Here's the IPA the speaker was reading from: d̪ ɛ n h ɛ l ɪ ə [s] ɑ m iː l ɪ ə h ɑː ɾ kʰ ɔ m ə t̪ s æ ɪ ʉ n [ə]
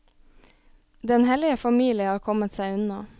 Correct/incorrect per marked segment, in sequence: incorrect, incorrect

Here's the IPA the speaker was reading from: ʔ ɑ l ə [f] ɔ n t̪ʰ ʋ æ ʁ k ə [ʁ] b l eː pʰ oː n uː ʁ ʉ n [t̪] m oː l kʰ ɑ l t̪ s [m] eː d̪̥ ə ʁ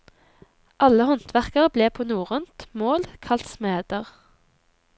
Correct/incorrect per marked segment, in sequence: incorrect, correct, correct, correct

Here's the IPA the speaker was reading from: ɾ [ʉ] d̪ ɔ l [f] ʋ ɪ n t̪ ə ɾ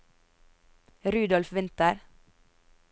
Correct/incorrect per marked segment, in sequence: incorrect, correct

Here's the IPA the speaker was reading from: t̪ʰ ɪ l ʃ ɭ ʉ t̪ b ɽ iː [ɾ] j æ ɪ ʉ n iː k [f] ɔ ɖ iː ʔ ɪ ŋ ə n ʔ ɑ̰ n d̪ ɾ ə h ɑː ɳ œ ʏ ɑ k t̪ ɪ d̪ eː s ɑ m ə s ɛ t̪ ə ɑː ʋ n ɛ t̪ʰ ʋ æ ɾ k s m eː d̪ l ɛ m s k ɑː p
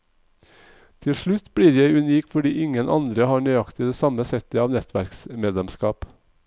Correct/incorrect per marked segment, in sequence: correct, correct

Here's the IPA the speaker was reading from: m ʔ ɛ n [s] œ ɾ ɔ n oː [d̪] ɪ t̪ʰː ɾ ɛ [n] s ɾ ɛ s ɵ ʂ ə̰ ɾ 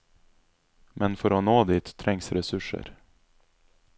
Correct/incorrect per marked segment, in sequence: incorrect, correct, incorrect

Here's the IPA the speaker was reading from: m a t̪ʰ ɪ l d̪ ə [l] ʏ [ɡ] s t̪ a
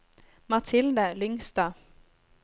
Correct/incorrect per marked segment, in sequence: correct, incorrect

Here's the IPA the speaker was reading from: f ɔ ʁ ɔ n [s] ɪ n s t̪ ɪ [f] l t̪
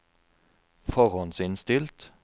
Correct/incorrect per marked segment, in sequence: correct, incorrect

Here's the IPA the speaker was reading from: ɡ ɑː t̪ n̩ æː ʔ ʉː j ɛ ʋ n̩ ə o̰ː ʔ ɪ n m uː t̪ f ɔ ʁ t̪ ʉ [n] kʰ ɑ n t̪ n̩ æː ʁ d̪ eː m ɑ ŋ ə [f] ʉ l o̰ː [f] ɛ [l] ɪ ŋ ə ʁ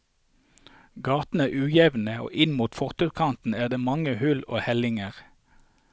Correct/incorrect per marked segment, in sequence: incorrect, incorrect, incorrect, correct

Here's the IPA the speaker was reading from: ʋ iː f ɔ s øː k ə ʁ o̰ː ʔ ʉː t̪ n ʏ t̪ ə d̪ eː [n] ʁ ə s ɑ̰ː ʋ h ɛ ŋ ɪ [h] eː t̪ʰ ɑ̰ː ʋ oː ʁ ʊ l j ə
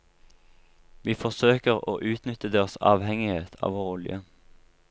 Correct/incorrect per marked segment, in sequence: incorrect, correct

